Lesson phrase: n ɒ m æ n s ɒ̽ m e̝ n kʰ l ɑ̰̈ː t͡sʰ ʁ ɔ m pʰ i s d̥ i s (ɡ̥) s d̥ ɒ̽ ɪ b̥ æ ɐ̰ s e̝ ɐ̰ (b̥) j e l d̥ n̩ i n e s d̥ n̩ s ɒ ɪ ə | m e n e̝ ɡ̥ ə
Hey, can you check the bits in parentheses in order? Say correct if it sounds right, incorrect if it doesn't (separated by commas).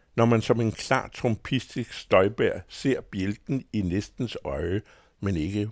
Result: correct, correct